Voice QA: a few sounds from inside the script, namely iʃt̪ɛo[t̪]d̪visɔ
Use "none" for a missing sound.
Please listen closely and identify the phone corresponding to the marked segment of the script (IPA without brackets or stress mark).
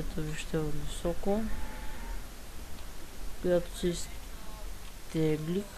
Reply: none